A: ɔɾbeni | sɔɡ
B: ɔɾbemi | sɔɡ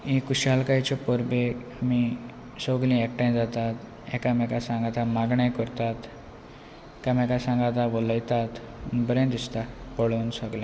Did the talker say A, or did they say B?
B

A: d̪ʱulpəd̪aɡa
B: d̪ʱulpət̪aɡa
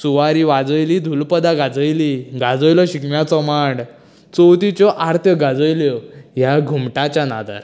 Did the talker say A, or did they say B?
A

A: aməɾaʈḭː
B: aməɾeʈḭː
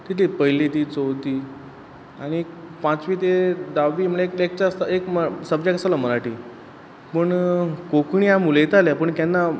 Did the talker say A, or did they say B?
A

